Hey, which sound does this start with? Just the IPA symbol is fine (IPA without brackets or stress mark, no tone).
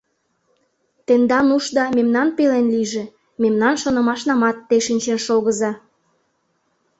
t̪